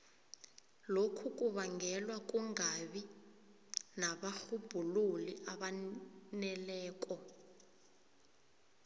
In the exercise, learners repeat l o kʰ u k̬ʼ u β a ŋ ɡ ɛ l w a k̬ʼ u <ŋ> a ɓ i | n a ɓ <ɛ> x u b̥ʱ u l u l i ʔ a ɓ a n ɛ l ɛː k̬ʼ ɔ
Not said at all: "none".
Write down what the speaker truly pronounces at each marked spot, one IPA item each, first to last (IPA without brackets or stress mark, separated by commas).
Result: ŋ, a